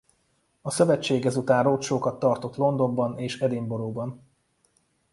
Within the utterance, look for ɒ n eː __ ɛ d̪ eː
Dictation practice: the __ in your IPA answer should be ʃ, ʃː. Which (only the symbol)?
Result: ʃ